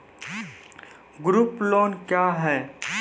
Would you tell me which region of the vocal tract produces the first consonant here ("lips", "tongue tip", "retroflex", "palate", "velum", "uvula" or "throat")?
velum